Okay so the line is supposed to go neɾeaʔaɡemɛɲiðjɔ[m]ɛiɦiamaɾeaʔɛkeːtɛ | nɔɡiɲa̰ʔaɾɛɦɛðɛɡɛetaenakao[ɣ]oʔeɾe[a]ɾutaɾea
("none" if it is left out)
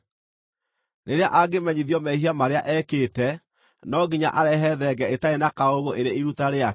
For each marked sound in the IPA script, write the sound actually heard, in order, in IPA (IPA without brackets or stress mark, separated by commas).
m, ɣ, i